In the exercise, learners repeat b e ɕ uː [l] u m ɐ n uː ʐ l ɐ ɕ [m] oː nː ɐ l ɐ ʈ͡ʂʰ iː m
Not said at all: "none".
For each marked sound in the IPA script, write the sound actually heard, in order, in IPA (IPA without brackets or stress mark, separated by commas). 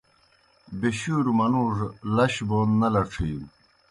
ɾ, b